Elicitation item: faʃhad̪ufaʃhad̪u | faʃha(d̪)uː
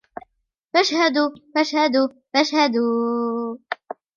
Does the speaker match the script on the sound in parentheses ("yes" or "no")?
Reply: yes